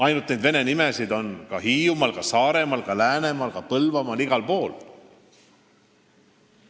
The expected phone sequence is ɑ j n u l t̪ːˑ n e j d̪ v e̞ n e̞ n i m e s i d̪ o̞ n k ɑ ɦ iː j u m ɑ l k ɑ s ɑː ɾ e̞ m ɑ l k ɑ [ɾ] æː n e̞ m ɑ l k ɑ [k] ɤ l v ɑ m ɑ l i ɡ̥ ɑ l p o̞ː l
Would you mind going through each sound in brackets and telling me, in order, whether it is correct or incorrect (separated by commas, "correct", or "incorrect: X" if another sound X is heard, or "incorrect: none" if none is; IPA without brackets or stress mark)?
incorrect: l, incorrect: p